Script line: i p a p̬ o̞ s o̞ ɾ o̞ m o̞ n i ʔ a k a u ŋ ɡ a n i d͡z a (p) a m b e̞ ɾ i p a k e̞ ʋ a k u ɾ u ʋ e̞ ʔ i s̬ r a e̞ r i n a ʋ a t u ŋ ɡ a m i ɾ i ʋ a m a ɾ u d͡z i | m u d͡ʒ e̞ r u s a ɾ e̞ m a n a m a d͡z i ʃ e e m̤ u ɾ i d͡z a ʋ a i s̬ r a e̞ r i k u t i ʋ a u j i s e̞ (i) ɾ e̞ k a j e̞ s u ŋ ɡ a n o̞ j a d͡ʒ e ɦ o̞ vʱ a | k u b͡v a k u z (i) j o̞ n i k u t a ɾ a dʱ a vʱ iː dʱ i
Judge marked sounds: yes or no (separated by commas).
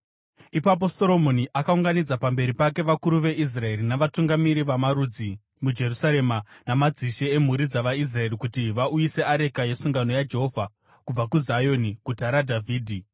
yes, no, no